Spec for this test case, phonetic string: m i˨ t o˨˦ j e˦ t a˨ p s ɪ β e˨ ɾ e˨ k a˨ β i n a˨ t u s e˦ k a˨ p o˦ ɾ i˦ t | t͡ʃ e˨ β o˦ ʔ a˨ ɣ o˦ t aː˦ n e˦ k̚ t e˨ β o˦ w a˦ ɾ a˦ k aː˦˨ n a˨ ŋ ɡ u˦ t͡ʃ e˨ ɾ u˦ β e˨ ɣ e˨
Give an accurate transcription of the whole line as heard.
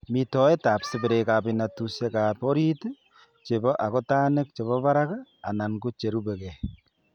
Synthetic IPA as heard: m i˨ t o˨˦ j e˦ t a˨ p s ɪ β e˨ ɾ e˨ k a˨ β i n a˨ t u s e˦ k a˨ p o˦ ɾ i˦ t | t͡ʃ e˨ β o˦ ʔ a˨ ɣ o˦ t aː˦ n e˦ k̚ t͡ʃ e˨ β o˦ β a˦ ɾ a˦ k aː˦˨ n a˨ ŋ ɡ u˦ t͡ʃ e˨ ɾ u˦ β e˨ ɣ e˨